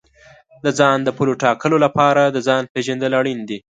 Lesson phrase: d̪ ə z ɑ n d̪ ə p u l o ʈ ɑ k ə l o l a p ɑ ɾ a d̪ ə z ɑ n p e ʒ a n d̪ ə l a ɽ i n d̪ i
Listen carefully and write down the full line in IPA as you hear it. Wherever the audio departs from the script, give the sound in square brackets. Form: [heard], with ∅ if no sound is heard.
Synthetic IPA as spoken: d̪ ə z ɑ n d̪ ə p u l o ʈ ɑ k ə l o l a p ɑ ɾ a d̪ ə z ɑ n p e ʒ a n d̪ ə l a ɽ i n d̪ i